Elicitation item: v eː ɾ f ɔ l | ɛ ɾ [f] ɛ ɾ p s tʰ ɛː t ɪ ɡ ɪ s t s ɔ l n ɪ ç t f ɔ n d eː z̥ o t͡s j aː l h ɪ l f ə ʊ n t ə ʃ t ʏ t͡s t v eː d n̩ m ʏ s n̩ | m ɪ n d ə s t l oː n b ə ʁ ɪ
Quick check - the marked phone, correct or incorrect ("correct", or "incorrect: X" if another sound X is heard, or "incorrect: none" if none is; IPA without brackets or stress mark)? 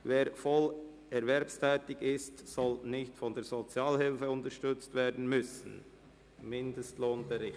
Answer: incorrect: v